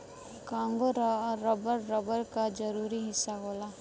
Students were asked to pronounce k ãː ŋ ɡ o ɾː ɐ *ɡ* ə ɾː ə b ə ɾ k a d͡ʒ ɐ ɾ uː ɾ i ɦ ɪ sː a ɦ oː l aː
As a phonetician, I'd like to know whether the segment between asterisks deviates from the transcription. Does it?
yes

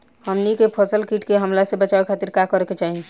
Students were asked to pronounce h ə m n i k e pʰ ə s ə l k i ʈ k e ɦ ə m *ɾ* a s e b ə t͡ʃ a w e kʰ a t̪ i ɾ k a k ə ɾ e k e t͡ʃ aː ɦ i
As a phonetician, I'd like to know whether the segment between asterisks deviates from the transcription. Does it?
yes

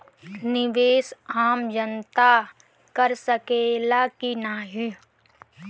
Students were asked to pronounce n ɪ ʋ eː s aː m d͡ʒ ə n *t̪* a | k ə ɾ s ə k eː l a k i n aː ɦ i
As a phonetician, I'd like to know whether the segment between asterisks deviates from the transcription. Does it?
no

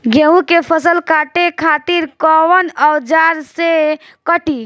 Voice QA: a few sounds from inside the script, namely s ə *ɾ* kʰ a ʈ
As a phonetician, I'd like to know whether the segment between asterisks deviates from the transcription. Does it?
yes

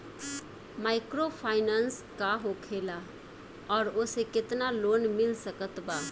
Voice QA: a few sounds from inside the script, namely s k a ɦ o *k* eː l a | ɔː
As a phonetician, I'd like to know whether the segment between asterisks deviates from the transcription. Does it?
yes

